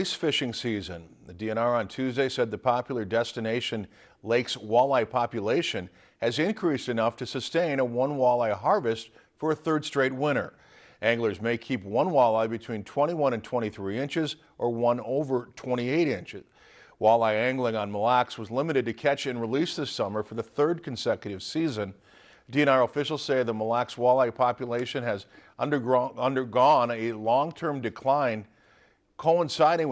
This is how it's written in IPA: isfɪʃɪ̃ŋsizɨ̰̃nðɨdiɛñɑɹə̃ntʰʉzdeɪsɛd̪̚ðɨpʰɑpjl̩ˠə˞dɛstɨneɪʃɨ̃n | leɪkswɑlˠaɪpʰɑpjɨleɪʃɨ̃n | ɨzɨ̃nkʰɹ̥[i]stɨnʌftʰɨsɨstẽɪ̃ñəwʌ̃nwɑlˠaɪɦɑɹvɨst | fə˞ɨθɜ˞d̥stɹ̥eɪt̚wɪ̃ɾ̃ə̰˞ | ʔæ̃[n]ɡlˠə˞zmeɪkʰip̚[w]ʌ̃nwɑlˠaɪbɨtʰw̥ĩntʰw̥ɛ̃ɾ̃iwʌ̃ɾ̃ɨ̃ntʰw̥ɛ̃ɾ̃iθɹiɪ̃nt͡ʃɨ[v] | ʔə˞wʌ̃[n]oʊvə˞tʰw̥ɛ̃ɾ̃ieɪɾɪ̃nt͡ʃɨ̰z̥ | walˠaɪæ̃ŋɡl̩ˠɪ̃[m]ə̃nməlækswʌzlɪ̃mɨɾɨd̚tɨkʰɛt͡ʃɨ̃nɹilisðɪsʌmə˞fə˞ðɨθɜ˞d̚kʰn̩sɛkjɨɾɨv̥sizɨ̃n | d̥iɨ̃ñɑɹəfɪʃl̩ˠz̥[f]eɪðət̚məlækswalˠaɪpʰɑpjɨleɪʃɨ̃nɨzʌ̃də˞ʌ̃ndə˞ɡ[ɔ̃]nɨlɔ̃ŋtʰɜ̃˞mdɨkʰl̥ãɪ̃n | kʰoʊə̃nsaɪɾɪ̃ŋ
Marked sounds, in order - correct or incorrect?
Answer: correct, incorrect: ŋ, correct, incorrect: z, correct, incorrect: ŋ, incorrect: s, correct

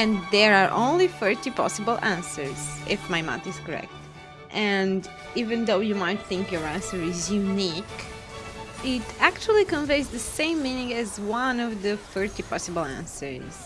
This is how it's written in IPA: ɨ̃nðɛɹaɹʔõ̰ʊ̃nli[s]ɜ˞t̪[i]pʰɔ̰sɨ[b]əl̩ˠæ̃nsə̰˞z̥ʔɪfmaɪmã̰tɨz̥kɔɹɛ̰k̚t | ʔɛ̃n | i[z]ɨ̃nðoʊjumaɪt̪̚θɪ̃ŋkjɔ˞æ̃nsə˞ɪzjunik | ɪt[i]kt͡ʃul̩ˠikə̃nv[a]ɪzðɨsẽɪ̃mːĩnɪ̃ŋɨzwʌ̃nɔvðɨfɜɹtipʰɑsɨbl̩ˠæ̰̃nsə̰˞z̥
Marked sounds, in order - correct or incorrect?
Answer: incorrect: f, correct, correct, incorrect: v, incorrect: æ, incorrect: e

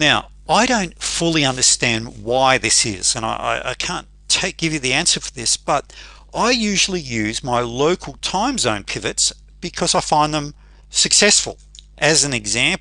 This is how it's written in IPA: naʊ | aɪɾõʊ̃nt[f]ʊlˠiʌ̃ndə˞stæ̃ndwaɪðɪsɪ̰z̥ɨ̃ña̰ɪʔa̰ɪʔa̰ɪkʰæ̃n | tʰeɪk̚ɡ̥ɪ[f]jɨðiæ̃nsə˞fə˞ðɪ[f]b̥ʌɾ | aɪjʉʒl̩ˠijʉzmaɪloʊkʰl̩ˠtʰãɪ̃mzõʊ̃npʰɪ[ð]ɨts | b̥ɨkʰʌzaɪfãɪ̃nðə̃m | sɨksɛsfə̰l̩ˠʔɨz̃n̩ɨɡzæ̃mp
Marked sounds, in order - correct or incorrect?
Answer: correct, incorrect: v, incorrect: s, incorrect: v

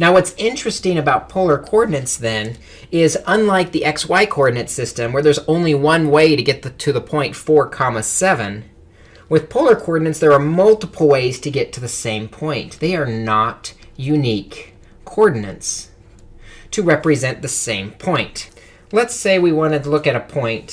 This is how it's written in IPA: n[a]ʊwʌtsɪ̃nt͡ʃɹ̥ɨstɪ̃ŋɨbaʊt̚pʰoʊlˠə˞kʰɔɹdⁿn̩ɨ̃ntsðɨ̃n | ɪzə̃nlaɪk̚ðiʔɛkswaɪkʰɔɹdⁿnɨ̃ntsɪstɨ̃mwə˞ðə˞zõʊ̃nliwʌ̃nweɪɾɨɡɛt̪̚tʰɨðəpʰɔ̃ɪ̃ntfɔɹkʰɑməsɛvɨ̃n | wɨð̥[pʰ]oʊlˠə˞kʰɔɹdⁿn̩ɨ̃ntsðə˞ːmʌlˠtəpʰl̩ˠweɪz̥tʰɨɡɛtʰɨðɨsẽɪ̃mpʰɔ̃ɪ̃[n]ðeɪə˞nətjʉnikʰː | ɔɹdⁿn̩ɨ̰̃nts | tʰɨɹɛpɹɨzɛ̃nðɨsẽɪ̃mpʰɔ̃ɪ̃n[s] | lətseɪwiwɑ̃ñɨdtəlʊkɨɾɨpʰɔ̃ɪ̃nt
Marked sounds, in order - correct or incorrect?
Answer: correct, correct, correct, incorrect: t

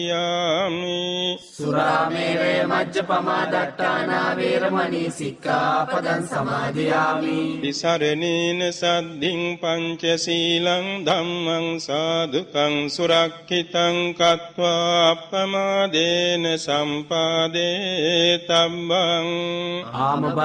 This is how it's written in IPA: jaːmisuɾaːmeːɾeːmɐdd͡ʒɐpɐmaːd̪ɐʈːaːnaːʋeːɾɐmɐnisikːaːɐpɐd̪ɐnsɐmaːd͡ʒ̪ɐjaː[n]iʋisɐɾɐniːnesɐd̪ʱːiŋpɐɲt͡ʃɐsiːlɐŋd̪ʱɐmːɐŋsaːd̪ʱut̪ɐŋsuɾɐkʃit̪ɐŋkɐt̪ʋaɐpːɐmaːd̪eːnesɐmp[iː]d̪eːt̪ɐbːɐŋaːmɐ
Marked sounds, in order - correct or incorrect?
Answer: incorrect: m, incorrect: aː

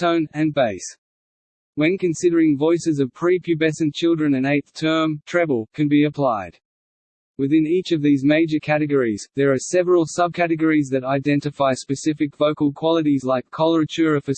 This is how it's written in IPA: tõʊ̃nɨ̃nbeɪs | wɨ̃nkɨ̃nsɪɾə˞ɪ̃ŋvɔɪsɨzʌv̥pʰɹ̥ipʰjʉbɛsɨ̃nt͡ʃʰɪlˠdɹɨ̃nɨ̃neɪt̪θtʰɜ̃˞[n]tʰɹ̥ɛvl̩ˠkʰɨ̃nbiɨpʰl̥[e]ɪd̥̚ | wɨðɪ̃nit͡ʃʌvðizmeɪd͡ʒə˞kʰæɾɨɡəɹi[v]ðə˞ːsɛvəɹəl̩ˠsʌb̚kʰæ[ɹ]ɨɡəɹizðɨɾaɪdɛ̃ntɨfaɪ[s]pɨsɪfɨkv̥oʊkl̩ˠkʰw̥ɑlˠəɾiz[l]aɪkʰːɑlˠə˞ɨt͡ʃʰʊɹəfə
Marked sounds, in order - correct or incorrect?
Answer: incorrect: m, incorrect: a, incorrect: z, incorrect: ɾ, correct, correct

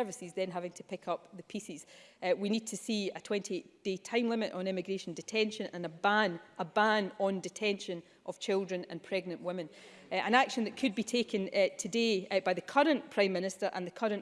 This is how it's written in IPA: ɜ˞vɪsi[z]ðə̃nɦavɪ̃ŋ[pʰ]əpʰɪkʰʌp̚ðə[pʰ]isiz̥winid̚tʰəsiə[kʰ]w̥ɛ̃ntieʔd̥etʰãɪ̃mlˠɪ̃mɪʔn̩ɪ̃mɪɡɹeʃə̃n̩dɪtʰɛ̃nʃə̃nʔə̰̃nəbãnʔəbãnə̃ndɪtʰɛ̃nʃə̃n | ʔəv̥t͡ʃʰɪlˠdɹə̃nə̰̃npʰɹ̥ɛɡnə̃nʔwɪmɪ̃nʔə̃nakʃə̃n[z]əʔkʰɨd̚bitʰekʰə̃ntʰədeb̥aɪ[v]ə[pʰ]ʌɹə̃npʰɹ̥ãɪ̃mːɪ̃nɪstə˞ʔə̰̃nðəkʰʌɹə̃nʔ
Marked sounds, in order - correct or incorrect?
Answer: correct, incorrect: tʰ, correct, incorrect: tʰ, incorrect: ð, incorrect: ð, incorrect: kʰ

